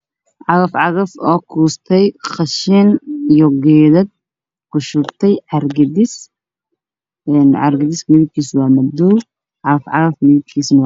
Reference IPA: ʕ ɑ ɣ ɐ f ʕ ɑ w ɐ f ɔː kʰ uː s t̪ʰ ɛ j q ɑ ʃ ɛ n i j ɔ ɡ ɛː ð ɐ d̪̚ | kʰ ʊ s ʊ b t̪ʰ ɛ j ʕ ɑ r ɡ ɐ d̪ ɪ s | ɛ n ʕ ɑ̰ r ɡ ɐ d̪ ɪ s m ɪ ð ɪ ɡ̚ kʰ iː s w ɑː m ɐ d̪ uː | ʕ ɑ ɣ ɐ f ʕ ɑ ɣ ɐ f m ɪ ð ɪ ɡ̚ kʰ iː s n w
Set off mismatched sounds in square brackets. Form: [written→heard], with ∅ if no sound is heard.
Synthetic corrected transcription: ʕ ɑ ɣ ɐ f ʕ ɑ [w→ɣ] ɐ f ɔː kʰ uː s t̪ʰ ɛ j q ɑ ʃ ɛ n i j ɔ ɡ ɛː ð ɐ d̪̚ | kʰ ʊ [s→ʃ] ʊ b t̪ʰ ɛ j ʕ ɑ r ɡ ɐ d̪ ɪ s | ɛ n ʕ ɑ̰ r ɡ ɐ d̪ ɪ s m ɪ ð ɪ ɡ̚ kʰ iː s w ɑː m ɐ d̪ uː | ʕ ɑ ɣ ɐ f ʕ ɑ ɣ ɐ f m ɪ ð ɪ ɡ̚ kʰ iː s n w